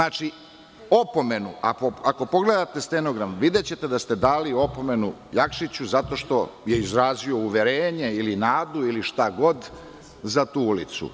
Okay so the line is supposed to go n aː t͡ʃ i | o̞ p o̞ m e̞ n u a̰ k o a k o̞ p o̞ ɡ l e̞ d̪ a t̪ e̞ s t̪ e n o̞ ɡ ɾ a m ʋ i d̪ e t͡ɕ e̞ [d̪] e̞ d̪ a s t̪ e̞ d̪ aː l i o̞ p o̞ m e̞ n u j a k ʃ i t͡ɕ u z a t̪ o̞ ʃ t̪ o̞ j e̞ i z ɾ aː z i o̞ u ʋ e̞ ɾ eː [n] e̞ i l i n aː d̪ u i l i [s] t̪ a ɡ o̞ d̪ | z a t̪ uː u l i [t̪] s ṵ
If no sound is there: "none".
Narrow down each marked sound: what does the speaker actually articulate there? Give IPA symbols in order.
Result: t̪, ɲ, ʃ, t̪

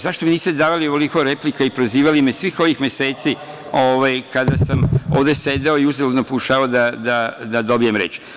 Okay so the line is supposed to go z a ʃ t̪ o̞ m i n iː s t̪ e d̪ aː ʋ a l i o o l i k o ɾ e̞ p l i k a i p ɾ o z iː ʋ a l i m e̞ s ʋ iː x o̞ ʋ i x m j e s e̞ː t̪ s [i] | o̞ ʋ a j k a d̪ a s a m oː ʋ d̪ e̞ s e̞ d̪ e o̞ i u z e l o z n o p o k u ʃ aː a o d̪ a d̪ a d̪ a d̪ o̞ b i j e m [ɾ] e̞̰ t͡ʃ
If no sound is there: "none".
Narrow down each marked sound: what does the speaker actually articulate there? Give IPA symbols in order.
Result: i, ɾ

